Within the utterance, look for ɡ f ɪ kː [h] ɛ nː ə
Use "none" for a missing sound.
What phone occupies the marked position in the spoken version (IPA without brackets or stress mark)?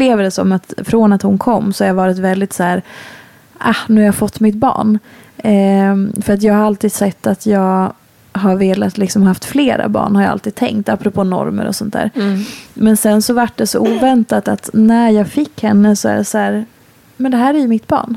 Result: h